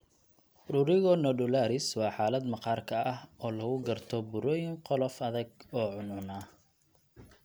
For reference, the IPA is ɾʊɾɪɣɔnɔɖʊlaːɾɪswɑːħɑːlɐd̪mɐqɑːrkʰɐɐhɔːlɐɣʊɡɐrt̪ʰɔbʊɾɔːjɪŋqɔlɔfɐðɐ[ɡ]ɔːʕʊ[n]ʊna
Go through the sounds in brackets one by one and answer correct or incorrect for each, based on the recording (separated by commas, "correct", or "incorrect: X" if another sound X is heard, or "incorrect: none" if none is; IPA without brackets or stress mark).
correct, correct